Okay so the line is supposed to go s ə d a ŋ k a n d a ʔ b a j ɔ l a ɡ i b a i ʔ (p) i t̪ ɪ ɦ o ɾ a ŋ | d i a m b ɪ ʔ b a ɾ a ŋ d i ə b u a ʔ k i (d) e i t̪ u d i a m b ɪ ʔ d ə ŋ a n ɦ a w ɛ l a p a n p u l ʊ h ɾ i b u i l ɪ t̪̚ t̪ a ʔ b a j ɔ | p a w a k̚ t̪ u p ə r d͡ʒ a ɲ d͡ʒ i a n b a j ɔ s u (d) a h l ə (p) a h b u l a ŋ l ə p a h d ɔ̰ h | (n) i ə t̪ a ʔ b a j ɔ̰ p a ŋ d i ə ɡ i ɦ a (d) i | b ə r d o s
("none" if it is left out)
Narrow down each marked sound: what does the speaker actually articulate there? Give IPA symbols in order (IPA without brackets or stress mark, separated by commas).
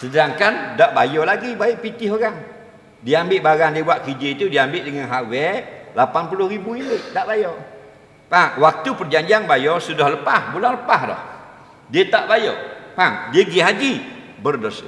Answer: p, d͡ʒ, d, p, d, d͡ʒ